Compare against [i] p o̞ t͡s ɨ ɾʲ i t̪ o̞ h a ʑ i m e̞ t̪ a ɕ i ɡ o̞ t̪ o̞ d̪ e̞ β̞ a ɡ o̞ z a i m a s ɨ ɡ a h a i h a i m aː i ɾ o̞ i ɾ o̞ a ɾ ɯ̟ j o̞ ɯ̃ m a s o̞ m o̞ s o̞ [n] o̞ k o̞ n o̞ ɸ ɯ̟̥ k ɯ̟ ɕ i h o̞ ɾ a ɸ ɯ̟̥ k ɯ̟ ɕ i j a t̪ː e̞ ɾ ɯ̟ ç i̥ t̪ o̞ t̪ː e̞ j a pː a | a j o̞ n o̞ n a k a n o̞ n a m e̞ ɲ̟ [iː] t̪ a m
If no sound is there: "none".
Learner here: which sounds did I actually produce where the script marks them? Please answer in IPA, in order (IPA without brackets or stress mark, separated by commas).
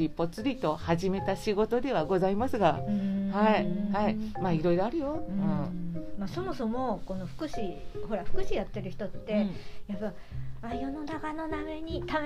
i, m, i